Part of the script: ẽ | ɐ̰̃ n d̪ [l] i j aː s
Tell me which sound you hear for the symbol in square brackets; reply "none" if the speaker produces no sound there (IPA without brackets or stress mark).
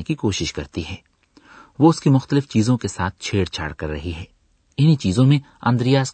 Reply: ɾ